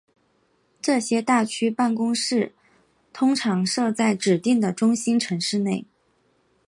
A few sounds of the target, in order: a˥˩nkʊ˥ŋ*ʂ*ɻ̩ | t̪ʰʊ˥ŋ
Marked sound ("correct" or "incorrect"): correct